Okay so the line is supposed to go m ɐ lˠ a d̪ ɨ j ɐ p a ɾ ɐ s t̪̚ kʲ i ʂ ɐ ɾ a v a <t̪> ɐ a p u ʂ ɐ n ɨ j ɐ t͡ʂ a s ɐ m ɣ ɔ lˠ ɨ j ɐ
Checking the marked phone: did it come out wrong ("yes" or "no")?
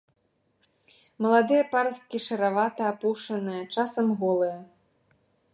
no